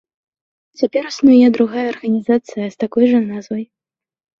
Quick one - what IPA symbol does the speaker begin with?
t͡sʲ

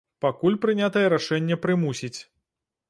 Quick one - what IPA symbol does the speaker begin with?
p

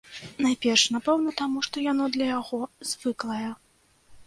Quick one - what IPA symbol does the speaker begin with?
n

